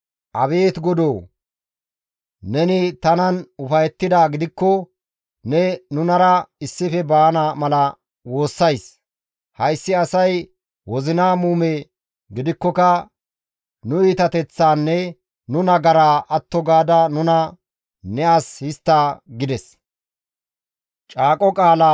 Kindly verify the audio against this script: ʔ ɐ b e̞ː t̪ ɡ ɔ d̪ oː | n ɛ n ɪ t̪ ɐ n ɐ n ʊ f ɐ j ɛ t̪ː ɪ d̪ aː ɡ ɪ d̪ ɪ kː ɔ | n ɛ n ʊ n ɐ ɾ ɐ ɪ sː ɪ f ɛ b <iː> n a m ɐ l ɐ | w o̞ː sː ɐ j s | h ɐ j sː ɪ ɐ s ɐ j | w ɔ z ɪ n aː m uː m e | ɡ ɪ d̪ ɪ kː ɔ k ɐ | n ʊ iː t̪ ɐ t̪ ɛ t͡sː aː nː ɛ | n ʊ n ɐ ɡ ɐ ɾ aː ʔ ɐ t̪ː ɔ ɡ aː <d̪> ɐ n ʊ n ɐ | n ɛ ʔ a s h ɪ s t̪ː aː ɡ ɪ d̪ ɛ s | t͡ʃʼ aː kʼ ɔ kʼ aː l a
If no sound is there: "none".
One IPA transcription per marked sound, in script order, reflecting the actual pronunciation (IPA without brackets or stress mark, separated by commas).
aː, d̪